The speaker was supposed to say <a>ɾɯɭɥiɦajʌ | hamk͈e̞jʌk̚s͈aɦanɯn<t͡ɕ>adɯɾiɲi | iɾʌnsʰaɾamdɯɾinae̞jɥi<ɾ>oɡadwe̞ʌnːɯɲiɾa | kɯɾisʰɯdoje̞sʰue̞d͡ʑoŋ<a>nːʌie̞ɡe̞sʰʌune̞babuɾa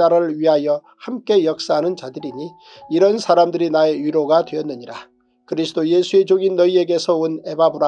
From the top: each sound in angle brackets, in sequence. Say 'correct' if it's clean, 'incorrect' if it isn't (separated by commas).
correct, correct, correct, incorrect